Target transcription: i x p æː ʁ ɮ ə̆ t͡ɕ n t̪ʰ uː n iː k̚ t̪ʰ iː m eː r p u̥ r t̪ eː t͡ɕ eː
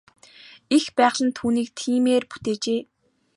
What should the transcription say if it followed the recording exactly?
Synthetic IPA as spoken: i x p æː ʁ ɮ ə̆ n t̪ʰ uː n iː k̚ t̪ʰ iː m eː r p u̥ t̪ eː t͡ɕ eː